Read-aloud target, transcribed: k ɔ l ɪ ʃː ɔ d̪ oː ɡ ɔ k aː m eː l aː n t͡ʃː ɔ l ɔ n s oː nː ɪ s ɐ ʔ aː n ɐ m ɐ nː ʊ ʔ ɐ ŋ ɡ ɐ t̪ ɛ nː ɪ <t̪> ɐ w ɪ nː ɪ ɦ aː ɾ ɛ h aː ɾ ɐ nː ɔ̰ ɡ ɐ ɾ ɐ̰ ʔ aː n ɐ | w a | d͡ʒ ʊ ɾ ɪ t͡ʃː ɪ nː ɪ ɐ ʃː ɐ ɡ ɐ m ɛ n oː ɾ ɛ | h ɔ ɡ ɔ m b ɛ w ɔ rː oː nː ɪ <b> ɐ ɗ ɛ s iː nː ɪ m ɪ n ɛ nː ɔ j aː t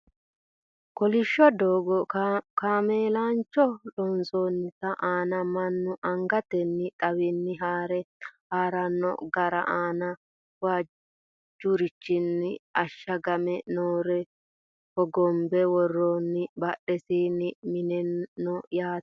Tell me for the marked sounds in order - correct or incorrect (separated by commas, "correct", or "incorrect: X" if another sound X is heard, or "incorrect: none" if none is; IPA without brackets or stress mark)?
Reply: incorrect: t̪ʼ, correct